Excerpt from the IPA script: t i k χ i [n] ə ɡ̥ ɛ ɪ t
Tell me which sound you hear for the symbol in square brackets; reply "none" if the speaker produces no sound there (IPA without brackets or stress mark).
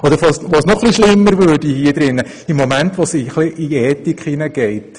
n